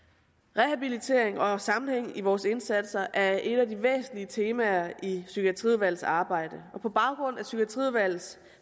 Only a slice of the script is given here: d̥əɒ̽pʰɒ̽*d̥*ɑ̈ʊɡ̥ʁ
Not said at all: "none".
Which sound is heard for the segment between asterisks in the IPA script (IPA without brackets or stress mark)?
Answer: b̥